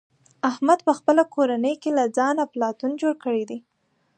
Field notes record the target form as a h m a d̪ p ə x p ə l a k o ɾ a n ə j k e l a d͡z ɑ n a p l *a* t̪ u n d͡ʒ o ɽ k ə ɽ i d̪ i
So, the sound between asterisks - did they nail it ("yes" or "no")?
no